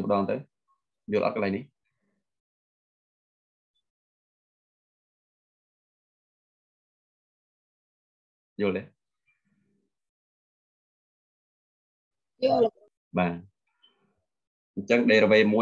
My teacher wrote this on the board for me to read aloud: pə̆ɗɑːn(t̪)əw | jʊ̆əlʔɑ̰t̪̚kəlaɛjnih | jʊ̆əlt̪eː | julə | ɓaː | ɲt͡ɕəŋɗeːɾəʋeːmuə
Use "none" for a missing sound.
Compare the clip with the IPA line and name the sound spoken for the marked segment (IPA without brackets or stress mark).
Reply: t̪